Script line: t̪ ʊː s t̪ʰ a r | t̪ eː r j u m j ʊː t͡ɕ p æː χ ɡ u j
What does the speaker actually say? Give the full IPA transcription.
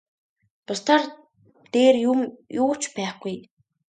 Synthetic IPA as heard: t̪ ʊ s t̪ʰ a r | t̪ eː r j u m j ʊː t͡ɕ p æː χ ɡ u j